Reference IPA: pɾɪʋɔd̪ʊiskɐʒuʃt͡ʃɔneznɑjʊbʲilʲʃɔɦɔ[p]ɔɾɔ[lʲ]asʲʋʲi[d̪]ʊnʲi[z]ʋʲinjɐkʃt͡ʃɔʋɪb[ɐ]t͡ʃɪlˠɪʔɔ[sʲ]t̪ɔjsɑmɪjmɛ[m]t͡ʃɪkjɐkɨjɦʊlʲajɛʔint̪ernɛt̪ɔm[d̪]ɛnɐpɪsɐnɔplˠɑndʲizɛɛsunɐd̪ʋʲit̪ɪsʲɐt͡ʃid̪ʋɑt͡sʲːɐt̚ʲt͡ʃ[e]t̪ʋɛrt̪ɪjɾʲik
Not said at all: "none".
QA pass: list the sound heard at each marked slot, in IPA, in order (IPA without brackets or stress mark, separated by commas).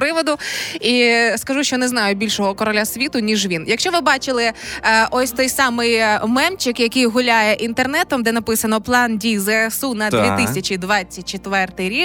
k, lʲ, t̪, ʒ, ɑ, sʲ, m, d̪, e